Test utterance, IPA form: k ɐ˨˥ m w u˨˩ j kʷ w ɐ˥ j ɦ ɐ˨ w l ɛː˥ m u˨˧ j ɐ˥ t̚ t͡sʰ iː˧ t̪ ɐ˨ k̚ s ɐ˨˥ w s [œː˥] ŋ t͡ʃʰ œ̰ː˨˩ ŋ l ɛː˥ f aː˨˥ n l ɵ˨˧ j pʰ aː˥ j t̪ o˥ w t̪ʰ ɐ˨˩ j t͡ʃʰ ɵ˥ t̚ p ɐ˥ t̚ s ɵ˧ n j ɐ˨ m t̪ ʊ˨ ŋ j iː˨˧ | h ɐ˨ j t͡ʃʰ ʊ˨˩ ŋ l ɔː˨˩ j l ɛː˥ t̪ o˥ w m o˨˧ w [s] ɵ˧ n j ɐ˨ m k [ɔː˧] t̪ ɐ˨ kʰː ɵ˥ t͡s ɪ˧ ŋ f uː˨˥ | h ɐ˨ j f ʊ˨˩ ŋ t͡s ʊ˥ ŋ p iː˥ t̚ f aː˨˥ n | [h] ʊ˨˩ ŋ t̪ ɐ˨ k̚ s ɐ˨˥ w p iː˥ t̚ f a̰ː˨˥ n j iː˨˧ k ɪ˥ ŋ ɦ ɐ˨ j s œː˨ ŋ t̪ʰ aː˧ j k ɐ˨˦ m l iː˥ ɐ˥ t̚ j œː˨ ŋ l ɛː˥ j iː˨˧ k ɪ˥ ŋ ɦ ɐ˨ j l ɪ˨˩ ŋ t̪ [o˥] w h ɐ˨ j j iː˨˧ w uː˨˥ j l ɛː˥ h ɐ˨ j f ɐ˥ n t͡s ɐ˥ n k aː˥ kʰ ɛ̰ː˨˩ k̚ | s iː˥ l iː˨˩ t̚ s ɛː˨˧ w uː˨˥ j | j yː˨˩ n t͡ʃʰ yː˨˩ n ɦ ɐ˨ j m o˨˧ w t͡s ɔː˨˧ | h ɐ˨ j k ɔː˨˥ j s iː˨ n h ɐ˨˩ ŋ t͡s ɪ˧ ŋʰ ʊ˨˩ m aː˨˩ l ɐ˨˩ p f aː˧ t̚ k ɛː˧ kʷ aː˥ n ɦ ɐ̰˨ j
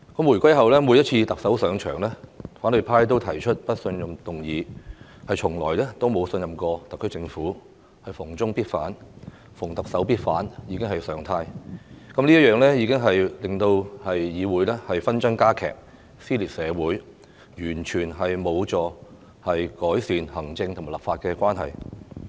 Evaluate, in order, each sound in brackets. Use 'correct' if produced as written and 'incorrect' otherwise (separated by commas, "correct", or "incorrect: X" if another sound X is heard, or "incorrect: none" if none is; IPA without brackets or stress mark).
incorrect: œː˨˧, correct, correct, incorrect: f, incorrect: o˧